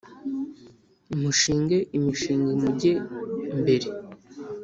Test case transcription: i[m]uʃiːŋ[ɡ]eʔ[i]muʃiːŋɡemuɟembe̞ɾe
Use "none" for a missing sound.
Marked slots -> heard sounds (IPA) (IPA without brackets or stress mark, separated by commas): m, ɡ, i